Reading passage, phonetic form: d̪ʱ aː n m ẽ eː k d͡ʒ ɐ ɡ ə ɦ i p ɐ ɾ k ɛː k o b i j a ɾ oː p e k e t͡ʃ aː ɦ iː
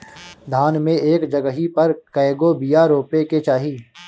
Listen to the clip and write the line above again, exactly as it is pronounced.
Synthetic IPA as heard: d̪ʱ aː n m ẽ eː k d͡ʒ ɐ ɡ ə ɦ i p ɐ ɾ k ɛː ɡ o b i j a ɾ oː p e k e t͡ʃ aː ɦ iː